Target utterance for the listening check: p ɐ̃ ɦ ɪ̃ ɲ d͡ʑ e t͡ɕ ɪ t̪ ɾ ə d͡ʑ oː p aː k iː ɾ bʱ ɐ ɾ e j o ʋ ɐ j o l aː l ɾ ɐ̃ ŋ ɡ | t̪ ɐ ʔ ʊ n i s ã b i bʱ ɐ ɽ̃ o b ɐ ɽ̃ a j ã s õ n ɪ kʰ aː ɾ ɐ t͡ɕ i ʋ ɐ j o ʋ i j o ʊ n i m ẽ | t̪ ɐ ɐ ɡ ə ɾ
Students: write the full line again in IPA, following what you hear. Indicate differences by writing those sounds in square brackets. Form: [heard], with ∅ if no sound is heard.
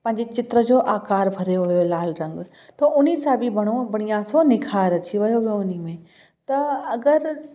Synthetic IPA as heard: p ɐ̃ ɦ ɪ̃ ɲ d͡ʑ e t͡ɕ ɪ t̪ ɾ ə d͡ʑ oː [ʔ] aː k [aː] ɾ bʱ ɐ ɾ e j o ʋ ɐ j o l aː l ɾ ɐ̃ ŋ ɡ | t̪ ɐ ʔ ʊ n i s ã b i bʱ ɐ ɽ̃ o b ɐ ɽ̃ [i] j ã s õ n ɪ kʰ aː ɾ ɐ t͡ɕ i ʋ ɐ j o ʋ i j o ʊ n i m ẽ | t̪ ɐ ɐ ɡ ə ɾ